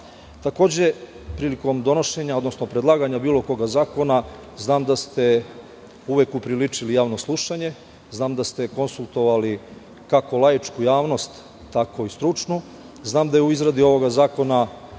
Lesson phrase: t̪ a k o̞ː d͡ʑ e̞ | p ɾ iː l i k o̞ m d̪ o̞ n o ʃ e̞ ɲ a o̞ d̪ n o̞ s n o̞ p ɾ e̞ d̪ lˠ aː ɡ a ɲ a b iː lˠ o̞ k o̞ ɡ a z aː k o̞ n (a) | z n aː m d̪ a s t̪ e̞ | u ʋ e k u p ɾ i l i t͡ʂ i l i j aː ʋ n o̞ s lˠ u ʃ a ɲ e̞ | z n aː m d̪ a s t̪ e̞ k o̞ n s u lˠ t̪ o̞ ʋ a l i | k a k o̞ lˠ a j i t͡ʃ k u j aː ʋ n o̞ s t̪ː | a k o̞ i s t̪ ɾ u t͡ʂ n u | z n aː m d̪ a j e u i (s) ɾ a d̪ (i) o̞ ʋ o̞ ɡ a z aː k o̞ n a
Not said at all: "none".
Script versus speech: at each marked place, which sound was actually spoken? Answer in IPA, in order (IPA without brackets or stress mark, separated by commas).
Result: a, z, i